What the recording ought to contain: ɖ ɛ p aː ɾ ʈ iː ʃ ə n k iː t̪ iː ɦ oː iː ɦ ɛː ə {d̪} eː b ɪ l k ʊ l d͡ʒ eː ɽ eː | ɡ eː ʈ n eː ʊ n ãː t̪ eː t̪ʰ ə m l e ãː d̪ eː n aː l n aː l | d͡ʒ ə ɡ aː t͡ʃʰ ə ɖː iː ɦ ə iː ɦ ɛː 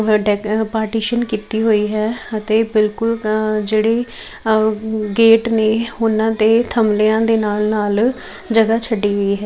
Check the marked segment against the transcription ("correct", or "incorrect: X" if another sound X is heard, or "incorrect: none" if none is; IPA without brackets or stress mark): incorrect: t̪